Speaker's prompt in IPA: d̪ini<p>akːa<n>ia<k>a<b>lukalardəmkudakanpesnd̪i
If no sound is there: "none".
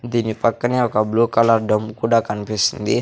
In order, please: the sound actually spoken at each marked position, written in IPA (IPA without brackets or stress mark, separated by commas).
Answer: p, n, k, b